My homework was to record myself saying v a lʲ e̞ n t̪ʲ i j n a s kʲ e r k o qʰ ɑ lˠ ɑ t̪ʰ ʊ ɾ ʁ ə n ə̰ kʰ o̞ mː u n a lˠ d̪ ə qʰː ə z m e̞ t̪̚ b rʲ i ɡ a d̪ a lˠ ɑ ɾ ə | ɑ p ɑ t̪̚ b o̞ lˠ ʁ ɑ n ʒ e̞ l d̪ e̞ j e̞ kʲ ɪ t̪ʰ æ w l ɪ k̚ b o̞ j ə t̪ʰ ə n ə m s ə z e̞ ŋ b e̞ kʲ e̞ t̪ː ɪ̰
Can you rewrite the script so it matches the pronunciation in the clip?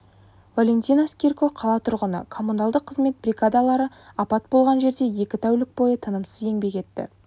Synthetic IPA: v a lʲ e̞ n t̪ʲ i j n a s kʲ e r k o qʰ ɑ lˠ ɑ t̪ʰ ʊ ɾ ʁ ə n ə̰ kʰ o̞ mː u n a lˠ d̪ ə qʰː ə z m e̞ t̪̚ b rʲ i ɡ a d̪ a lˠ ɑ ɾ ə | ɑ p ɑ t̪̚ b o̞ lˠ ʁ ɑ n ʒ e̞ ɾ d̪ e̞ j e̞ kʲ ɪ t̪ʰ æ w l ɪ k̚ b o̞ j ə t̪ʰ ə n ə m s ə z e̞ ŋ b e̞ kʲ e̞ t̪ː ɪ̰